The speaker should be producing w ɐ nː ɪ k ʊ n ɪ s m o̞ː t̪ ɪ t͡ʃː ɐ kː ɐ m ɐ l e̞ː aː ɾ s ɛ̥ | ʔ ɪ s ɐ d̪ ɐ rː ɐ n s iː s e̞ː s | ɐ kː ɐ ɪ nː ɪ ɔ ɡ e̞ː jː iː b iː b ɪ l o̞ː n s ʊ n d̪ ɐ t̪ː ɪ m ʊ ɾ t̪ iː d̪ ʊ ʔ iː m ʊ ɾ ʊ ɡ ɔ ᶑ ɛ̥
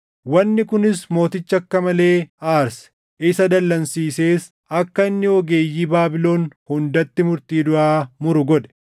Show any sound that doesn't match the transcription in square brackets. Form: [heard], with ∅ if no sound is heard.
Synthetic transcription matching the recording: w ɐ nː ɪ k ʊ n ɪ s m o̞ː t̪ ɪ t͡ʃː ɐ kː ɐ m ɐ l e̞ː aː ɾ s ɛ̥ | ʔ ɪ s ɐ d̪ ɐ [lː] ɐ n s iː s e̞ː s | ɐ kː ɐ ɪ nː ɪ ɔ ɡ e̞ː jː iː b [aː] b ɪ l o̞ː n [h] ʊ n d̪ ɐ t̪ː ɪ m ʊ ɾ t̪ iː d̪ ʊ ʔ [aː] m ʊ ɾ ʊ ɡ ɔ ᶑ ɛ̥